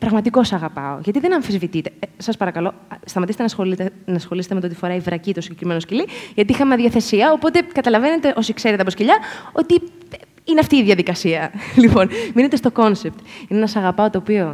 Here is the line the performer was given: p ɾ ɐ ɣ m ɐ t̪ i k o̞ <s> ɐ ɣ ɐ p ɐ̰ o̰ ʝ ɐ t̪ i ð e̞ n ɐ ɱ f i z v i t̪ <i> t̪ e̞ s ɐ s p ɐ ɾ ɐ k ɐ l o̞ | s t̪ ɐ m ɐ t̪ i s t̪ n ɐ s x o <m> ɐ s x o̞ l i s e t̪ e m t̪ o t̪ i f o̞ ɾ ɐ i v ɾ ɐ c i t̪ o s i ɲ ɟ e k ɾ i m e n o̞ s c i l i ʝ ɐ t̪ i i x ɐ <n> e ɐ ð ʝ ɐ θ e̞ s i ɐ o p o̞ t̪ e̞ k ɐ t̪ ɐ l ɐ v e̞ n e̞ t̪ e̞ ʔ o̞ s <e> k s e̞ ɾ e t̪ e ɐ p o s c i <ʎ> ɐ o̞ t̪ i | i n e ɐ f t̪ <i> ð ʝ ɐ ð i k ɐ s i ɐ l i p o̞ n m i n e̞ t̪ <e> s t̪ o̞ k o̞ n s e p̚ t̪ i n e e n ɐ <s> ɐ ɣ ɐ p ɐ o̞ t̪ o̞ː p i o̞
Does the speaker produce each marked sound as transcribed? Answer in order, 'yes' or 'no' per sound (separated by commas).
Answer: yes, yes, no, no, no, yes, no, yes, yes